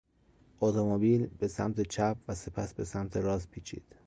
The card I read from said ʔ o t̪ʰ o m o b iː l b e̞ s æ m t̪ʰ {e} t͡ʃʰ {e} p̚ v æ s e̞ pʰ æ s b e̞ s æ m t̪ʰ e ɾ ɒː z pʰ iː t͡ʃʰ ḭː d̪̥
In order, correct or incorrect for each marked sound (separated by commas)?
correct, incorrect